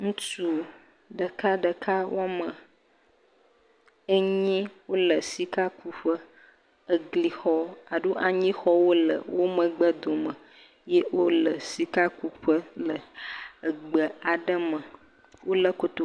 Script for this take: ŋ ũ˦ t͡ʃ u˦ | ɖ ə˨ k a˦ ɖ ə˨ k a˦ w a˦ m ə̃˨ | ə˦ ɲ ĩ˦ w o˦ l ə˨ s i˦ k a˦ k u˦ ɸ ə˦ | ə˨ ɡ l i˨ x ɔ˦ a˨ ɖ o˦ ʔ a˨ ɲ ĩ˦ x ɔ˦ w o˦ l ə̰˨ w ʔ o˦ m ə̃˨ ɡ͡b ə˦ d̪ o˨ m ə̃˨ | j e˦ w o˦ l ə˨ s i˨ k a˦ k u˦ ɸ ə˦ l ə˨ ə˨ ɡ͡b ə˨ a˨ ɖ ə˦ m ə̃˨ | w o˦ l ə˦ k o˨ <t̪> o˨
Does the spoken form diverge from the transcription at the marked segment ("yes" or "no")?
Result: no